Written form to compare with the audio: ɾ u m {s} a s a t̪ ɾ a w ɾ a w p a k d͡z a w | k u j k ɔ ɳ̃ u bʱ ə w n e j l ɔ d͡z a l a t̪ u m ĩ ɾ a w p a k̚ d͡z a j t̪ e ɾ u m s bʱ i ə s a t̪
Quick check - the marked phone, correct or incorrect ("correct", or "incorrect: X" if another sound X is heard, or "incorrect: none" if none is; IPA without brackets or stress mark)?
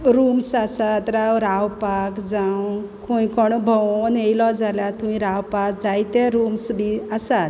correct